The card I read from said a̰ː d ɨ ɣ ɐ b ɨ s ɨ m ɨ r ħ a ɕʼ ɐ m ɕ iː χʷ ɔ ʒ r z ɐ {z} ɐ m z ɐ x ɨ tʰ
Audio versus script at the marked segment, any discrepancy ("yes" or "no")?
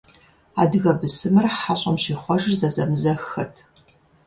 no